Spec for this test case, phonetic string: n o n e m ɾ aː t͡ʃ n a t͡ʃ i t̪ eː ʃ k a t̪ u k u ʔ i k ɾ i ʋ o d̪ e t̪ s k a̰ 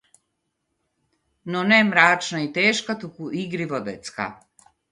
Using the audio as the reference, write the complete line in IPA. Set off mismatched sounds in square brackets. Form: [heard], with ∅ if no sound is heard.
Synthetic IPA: n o n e m ɾ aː t͡ʃ n a [∅] i t̪ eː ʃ k a t̪ u k u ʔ i [ɡ] ɾ i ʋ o d̪ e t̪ s k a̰